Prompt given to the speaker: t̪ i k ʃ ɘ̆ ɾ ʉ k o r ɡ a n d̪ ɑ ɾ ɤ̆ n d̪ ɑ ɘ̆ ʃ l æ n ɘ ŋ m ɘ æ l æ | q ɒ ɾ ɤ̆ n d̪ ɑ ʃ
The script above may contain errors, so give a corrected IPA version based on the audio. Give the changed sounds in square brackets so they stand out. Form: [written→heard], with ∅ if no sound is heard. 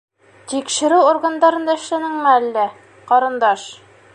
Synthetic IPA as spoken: t̪ i k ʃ ɘ̆ ɾ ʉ [k→∅] o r ɡ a n d̪ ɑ ɾ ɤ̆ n d̪ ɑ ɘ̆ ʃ l æ n ɘ ŋ m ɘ æ [l→lː] æ | q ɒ ɾ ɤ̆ n d̪ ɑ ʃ